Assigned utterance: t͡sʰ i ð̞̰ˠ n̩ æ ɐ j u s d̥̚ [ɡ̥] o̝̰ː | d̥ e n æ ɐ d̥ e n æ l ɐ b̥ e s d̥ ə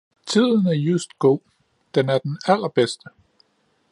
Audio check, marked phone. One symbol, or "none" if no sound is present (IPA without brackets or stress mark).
ɡ̥